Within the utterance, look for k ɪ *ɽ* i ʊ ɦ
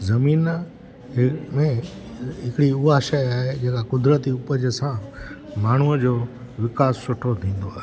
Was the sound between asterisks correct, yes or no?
yes